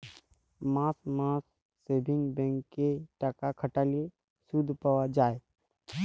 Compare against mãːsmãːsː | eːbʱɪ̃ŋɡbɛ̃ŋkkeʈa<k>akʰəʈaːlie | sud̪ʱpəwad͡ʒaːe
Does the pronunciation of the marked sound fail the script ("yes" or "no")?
no